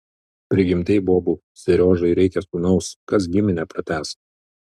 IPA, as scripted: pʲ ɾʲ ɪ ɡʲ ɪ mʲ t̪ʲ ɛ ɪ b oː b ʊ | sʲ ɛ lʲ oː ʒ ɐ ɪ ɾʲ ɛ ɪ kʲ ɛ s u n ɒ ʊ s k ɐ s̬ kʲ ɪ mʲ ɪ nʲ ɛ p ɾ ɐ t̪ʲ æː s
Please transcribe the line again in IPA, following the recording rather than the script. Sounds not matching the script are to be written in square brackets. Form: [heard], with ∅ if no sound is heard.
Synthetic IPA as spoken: pʲ ɾʲ ɪ ɡʲ ɪ mʲ t̪ʲ ɛ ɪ b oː b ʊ | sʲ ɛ [ɾʲ] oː ʒ ɐ ɪ ɾʲ ɛ ɪ kʲ ɛ s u n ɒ ʊ s k ɐ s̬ [ɡʲ] ɪ mʲ ɪ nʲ ɛ p ɾ ɐ t̪ʲ æː s

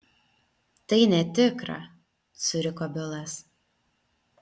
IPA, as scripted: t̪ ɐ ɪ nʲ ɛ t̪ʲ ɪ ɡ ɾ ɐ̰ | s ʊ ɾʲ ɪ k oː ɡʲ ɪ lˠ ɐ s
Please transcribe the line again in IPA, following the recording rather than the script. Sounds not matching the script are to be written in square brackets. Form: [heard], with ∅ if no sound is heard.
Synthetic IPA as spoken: t̪ ɐ ɪ nʲ ɛ t̪ʲ ɪ [k] ɾ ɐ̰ | s ʊ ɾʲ ɪ k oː [bʲ] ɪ lˠ ɐ s

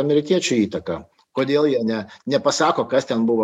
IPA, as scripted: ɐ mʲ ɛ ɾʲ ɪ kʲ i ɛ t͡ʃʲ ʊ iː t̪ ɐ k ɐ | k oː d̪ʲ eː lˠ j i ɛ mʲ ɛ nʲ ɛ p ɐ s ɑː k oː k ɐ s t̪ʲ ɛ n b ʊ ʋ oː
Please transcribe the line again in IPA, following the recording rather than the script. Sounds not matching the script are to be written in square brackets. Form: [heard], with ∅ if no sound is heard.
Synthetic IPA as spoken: ɐ mʲ ɛ ɾʲ ɪ kʲ i ɛ t͡ʃʲ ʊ iː t̪ ɐ k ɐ | k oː d̪ʲ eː lˠ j i ɛ [nʲ] ɛ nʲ ɛ p ɐ s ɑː k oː k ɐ s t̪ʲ ɛ n b ʊ ʋ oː

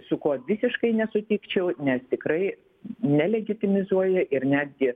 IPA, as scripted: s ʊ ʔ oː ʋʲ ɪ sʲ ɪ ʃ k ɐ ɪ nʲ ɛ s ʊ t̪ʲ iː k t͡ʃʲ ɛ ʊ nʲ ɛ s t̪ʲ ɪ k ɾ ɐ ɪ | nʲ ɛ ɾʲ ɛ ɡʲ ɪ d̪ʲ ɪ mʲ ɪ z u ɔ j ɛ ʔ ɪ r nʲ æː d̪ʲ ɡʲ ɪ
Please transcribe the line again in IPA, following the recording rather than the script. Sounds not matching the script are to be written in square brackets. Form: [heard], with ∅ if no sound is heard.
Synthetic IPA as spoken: s ʊ [k] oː ʋʲ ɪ sʲ ɪ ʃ k ɐ ɪ nʲ ɛ s ʊ t̪ʲ iː k t͡ʃʲ ɛ ʊ nʲ ɛ s t̪ʲ ɪ k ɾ ɐ ɪ | nʲ ɛ [lʲ] ɛ ɡʲ ɪ [t̪ʲ] ɪ mʲ ɪ z u ɔ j ɛ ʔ ɪ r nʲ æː d̪ʲ ɡʲ ɪ

